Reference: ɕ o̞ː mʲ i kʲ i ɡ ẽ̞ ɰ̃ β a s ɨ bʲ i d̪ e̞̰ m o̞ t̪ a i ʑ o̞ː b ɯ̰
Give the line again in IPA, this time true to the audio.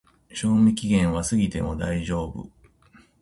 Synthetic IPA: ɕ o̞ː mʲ i kʲ i ɡ ẽ̞ ɰ̃ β a s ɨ ɡʲ i t̪ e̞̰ m o̞ d̪ a i ʑ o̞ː b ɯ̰